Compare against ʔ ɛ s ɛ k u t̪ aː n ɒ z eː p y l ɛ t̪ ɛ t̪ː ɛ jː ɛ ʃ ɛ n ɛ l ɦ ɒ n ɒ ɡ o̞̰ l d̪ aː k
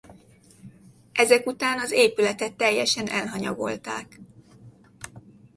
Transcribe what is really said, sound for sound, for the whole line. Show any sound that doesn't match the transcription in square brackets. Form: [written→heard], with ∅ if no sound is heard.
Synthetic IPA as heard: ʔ ɛ [s→z] ɛ k u t̪ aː n ɒ z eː p y l ɛ t̪ ɛ t̪ː ɛ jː ɛ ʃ ɛ n ɛ l ɦ ɒ [n→ɲ] ɒ ɡ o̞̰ l [d̪→t̪] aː k